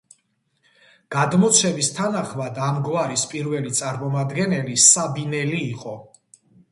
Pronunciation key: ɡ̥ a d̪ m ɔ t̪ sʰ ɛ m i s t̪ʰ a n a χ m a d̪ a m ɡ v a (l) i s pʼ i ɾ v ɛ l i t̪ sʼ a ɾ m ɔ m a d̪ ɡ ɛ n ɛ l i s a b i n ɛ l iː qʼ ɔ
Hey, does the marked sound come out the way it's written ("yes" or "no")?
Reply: no